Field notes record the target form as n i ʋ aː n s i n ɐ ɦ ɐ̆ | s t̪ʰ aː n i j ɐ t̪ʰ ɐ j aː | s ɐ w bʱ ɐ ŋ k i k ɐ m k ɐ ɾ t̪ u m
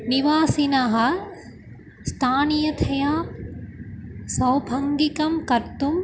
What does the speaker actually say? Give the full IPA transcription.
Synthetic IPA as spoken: n i ʋ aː s i n ɐ ɦ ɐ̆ | s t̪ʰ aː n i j ɐ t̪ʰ ɐ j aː | s ɐ w bʱ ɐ ŋ ɡ i k ɐ m k ɐ ɾ t̪ u m